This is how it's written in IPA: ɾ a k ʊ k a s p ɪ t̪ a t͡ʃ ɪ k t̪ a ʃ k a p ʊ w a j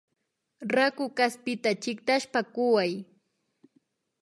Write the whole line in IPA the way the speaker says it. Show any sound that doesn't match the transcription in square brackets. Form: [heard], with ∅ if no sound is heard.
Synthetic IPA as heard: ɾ a k ʊ k a s p ɪ t̪ a t͡ʃ ɪ k t̪ a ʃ [p] a [k] ʊ w a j